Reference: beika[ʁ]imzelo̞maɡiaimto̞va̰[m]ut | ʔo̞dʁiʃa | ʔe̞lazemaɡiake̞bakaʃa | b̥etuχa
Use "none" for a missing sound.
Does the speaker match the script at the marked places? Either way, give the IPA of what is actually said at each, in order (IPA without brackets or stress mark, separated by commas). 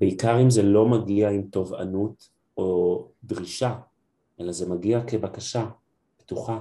ʁ, n